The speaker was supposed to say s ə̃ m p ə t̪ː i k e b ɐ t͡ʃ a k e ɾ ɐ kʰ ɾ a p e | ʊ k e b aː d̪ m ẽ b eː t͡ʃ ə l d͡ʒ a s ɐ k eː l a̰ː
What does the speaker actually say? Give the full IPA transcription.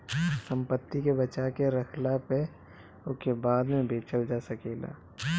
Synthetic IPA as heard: s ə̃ m p ə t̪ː i k e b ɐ t͡ʃ a k e ɾ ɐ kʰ l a p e | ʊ k e b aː d̪ m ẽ b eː t͡ʃ ə l d͡ʒ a s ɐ k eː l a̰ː

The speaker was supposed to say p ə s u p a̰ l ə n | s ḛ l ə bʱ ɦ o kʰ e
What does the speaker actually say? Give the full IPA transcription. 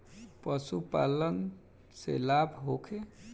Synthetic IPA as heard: p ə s u p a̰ l ə n | s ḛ l a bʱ ɦ o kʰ e

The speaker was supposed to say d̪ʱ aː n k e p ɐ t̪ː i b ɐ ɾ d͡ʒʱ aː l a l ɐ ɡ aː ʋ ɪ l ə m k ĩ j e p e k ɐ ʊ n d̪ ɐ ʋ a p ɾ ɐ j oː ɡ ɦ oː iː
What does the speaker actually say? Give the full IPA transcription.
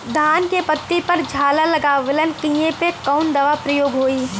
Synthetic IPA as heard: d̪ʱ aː n k e p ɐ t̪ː i p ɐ ɾ d͡ʒʱ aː l a l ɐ ɡ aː ʋ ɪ l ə n k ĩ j e p e k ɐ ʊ n d̪ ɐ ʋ a p ɾ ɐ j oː ɡ ɦ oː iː

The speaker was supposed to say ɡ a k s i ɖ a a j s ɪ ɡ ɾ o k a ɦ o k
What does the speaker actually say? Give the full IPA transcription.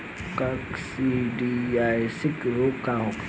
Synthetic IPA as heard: k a k s i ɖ i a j s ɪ k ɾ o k a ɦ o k

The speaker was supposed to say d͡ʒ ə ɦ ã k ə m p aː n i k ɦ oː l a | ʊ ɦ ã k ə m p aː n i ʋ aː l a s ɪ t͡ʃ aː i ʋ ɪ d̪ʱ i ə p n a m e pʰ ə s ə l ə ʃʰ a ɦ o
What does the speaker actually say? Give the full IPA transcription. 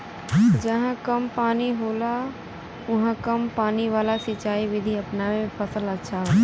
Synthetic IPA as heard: d͡ʒ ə ɦ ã k ə m p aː n i ɦ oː l a | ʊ ɦ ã k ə m p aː n i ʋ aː l a s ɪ t͡ʃ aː i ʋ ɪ d̪ʱ i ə p n a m e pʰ ə s ə l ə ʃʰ a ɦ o

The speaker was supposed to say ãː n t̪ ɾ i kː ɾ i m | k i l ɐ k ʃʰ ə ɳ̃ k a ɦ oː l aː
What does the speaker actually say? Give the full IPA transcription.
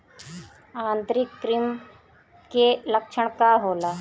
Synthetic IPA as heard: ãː n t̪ ɾ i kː ɾ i m | k e l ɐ k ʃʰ ə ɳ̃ k a ɦ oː l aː

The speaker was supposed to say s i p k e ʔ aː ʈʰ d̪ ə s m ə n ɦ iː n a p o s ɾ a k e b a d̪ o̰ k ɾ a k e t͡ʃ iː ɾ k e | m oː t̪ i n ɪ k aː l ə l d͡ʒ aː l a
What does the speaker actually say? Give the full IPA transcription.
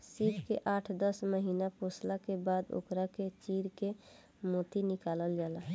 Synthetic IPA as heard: s i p k e ʔ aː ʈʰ d̪ ə s m ə ɦ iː n a p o s l a k e b a d̪ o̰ k ɾ a k e t͡ʃ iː ɾ k e | m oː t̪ i n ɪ k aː l ə l d͡ʒ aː l a

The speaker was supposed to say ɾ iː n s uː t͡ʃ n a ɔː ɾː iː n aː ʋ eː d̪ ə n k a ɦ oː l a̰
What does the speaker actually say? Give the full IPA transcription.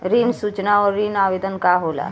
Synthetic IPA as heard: ɾ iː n s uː t͡ʃ n a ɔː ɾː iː n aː ʋ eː d̪ ə n k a ɦ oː l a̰

